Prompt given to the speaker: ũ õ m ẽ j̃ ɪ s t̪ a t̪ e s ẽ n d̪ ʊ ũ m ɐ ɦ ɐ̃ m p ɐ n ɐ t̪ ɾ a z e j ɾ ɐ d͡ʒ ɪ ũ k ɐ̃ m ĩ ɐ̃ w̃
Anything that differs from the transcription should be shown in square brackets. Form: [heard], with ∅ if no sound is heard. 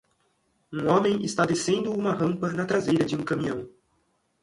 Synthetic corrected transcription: ũ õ m ẽ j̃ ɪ s t̪ a [d̪] e s ẽ n d̪ ʊ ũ m ɐ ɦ ɐ̃ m p ɐ n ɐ t̪ ɾ a z e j ɾ ɐ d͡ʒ ɪ ũ k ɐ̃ m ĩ ɐ̃ w̃